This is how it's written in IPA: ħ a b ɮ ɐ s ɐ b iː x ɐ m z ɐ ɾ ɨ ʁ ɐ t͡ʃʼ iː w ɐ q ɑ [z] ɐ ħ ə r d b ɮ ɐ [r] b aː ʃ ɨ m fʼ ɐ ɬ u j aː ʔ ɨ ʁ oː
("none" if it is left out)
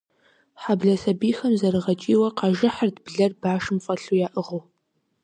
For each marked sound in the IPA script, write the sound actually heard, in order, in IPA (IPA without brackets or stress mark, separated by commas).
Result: ʒ, r